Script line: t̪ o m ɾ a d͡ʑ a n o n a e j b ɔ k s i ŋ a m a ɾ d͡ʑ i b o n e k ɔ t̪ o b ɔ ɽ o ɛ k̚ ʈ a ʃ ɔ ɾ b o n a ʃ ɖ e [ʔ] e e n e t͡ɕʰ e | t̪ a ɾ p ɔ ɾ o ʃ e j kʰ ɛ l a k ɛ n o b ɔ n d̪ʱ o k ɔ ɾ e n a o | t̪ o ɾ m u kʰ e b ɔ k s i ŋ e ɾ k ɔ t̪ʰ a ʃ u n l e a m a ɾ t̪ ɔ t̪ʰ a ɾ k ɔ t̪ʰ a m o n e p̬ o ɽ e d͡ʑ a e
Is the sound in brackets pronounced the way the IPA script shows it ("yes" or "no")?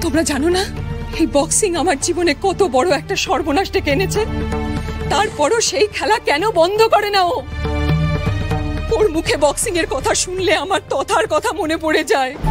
no